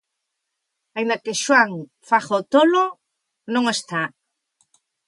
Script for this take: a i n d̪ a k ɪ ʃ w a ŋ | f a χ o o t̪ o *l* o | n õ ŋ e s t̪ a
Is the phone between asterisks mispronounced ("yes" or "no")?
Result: no